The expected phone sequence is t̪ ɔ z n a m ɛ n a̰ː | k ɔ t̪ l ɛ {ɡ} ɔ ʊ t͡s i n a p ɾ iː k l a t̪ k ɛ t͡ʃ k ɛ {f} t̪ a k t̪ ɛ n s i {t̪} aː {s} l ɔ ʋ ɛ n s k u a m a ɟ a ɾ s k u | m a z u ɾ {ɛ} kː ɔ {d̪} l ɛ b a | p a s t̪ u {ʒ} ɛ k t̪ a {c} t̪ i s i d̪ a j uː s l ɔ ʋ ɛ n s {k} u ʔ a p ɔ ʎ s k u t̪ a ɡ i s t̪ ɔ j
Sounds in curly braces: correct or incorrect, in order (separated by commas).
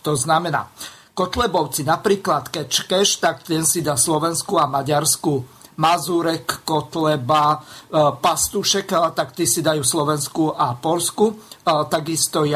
incorrect, incorrect, incorrect, correct, correct, incorrect, incorrect, incorrect, correct